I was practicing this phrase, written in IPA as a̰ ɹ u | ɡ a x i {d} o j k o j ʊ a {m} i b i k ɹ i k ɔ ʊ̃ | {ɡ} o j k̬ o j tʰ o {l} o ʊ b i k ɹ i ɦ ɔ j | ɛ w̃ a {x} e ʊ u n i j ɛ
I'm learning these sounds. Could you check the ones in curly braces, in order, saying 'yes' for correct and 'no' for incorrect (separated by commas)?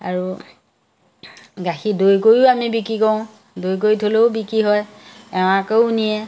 yes, yes, no, yes, no